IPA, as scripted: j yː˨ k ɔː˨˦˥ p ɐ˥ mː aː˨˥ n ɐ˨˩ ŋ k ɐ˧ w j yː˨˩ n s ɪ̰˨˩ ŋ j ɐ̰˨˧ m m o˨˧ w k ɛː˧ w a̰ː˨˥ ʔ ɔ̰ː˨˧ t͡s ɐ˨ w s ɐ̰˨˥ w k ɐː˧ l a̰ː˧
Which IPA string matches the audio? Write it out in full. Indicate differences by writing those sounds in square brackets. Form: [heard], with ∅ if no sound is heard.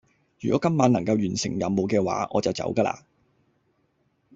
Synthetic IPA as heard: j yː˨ k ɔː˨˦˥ [k] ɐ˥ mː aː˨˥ n ɐ˨˩ ŋ k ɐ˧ w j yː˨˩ n s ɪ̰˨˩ ŋ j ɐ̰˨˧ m m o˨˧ w k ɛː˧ w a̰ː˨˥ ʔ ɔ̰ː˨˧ t͡s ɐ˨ w [t͡s] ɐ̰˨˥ w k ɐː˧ l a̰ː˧